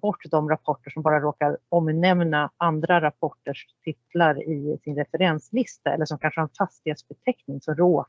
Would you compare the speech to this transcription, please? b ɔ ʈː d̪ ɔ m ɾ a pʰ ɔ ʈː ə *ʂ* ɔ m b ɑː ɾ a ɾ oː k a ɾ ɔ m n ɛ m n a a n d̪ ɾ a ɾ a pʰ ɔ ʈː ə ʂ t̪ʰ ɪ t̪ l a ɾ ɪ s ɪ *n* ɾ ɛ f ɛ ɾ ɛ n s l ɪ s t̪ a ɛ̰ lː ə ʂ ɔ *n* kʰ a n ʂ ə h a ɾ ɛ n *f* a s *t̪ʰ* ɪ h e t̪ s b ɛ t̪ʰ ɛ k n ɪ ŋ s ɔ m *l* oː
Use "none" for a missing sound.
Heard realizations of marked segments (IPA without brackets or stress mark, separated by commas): ʂ, n, m, f, t̪, ɾ